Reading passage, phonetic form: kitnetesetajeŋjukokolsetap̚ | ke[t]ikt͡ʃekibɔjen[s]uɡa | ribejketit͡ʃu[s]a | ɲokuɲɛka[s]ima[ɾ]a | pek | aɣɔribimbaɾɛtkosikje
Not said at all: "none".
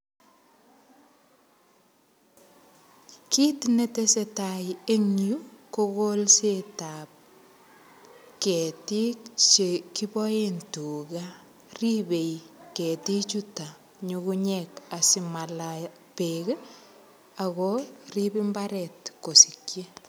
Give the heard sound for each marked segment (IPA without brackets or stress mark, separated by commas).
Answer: t, t, t, s, l